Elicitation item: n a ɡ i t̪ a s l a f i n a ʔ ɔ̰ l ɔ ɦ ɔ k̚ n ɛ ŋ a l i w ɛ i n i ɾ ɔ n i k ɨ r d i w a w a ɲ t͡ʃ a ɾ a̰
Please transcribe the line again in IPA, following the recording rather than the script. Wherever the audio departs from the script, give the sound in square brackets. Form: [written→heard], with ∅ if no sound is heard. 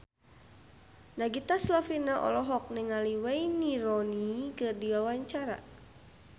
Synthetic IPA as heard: n a ɡ i t̪ a s l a f i n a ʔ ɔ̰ l ɔ ɦ ɔ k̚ n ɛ ŋ a l i w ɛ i n i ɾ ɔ n i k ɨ r d i w a w a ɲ t͡ʃ a ɾ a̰

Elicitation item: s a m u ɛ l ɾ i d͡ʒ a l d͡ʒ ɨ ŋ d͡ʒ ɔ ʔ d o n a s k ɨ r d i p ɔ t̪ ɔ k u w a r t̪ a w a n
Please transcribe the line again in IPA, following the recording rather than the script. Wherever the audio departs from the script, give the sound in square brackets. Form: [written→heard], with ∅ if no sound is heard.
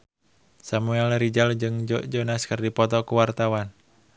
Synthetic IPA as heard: s a m u ɛ l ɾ i d͡ʒ a l d͡ʒ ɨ ŋ d͡ʒ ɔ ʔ [d→d͡ʒ] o n a s k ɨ r d i p ɔ t̪ ɔ k u w a r t̪ a w a n

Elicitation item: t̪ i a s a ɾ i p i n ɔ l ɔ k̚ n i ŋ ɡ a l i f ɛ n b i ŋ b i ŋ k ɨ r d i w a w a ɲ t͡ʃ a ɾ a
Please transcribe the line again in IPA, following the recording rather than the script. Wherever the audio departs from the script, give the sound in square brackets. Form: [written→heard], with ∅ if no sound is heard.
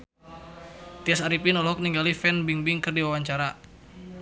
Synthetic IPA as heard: t̪ i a s a ɾ i p i n ɔ l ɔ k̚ n i ŋ ɡ a l i f ɛ n b i ŋ b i ŋ k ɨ r d i w a w a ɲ t͡ʃ a ɾ a

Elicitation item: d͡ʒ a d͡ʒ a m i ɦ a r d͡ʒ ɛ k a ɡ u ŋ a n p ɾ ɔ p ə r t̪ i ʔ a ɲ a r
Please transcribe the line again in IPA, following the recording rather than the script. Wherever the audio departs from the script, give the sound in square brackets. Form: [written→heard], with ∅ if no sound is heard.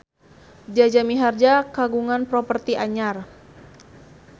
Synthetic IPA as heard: d͡ʒ a d͡ʒ a m i ɦ a r d͡ʒ [ɛ→a] k a ɡ u ŋ a n p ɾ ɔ p ə r t̪ i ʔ a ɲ a r

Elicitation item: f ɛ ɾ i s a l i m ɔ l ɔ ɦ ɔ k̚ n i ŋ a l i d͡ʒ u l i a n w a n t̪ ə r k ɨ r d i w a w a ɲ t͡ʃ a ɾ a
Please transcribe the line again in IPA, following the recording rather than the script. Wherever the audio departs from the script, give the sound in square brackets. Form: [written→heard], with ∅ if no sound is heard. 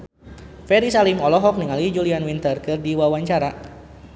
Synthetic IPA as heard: f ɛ ɾ i s a l i m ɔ l ɔ ɦ ɔ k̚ n i ŋ a l i d͡ʒ u l i a n w [a→i] n t̪ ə r k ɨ r d i w a w a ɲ t͡ʃ a ɾ a

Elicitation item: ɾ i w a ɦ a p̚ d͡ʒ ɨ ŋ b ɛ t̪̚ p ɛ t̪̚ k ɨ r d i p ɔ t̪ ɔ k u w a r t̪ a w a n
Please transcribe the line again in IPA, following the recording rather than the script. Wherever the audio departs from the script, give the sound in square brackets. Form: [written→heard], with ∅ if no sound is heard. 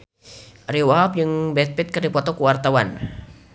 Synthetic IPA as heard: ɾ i w a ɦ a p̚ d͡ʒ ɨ ŋ b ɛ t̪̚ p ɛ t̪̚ k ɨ r d i p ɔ t̪ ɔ k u w a r t̪ a w a n

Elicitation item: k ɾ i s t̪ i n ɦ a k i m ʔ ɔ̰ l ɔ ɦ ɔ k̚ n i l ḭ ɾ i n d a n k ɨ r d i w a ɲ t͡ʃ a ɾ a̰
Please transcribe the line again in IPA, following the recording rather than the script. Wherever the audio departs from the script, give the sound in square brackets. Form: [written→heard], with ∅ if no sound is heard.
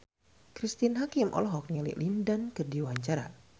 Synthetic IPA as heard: k ɾ i s t̪ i n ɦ a k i m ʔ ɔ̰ l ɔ ɦ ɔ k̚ n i l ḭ [ɾ→l] i n d a n k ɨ r d i w a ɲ t͡ʃ a ɾ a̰

